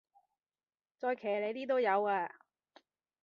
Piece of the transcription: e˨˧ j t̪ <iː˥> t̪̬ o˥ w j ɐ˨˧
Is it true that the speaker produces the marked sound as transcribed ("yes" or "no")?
yes